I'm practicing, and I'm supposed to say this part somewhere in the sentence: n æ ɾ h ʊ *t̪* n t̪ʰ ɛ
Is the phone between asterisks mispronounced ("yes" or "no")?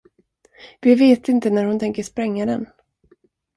yes